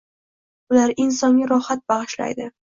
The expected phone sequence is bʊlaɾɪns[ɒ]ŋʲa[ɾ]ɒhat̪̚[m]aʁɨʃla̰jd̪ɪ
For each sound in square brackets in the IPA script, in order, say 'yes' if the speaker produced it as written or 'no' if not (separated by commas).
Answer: yes, yes, no